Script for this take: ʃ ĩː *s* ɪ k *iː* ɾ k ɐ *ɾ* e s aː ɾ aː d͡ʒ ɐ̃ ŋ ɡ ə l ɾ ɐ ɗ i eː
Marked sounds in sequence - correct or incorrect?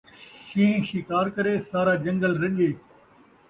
incorrect: ʃ, incorrect: aː, correct

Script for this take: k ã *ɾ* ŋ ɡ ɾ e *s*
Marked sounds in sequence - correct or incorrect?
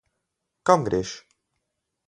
incorrect: none, incorrect: ʃ

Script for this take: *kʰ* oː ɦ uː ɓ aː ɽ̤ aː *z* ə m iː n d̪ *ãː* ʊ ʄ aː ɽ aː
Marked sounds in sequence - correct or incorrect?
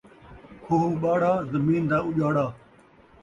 correct, correct, incorrect: aː

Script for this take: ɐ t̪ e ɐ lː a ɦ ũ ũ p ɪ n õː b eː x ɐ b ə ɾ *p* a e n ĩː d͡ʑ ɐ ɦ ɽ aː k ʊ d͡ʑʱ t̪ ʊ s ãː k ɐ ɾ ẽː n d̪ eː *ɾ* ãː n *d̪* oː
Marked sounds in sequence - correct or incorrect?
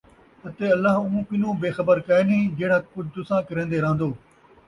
incorrect: k, correct, correct

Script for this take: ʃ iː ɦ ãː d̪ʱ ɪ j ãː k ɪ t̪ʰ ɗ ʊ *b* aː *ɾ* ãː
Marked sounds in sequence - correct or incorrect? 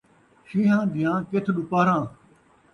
incorrect: p, correct

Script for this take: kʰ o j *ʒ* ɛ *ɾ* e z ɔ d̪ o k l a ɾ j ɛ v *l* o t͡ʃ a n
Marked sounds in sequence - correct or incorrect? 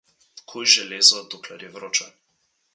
correct, incorrect: l, incorrect: ɾ

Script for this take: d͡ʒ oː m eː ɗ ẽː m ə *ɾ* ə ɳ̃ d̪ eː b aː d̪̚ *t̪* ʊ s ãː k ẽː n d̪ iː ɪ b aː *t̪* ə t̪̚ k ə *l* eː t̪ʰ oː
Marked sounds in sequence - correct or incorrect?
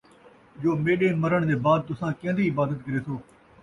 correct, correct, incorrect: d̪, incorrect: ɾ

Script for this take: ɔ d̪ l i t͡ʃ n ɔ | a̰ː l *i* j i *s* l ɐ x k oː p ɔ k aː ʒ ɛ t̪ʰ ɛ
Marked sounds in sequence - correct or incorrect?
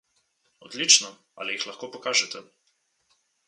correct, incorrect: x

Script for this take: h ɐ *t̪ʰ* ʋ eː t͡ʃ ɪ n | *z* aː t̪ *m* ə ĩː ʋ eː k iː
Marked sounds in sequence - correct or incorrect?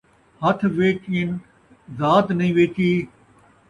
correct, correct, incorrect: n

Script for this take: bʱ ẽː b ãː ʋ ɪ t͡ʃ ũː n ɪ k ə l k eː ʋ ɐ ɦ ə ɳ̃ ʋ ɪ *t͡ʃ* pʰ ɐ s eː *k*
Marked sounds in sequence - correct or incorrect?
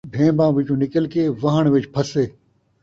correct, incorrect: none

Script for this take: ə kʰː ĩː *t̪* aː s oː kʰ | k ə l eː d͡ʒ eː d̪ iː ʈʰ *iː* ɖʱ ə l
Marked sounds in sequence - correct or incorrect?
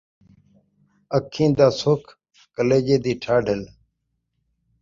incorrect: d̪, incorrect: aː

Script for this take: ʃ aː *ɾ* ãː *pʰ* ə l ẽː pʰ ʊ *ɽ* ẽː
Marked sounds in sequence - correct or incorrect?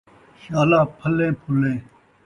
incorrect: l, correct, incorrect: l

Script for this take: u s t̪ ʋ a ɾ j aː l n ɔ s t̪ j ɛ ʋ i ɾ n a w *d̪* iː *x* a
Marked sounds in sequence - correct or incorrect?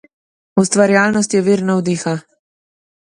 correct, correct

